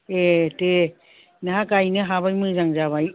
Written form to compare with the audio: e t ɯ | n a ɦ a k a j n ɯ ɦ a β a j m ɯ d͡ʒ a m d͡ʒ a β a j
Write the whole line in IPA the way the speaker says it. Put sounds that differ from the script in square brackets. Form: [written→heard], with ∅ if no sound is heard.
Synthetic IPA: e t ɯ | n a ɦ a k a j n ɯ ɦ a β a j m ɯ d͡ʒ a [m→ŋ] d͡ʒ a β a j